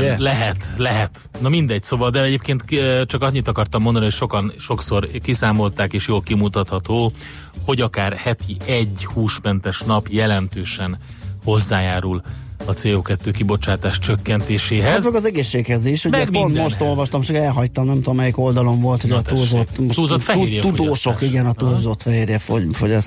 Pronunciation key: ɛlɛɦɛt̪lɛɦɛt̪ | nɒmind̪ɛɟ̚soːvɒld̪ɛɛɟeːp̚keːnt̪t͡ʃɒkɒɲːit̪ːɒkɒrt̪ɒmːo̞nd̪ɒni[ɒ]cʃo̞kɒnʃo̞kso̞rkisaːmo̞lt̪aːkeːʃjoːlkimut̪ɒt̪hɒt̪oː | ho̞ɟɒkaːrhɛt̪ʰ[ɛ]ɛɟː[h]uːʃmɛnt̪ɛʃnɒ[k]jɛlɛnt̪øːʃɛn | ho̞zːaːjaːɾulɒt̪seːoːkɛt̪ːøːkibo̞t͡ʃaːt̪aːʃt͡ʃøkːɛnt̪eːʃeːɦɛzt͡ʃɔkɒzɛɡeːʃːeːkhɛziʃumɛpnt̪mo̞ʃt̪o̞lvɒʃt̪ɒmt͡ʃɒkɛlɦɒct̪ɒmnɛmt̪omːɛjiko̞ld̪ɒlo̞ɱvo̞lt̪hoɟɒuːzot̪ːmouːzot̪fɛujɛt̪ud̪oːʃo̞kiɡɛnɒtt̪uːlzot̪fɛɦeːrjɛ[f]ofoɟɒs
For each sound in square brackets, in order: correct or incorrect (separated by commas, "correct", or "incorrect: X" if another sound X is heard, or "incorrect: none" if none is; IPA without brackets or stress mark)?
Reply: incorrect: o, incorrect: i, correct, incorrect: p, correct